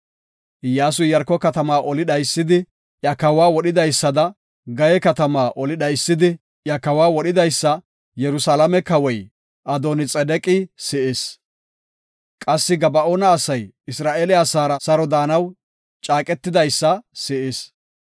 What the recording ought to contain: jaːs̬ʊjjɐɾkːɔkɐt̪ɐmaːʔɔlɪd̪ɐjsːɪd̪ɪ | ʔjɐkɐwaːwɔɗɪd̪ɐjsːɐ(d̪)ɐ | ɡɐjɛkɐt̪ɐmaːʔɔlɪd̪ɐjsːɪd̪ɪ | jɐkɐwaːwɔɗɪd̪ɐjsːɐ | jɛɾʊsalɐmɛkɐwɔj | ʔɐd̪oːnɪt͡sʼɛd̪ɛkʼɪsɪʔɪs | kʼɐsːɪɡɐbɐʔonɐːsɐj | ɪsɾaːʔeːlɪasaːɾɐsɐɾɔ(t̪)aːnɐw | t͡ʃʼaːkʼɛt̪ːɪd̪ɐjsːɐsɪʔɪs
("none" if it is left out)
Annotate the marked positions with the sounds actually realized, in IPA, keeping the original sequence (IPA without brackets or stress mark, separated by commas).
d̪, d̪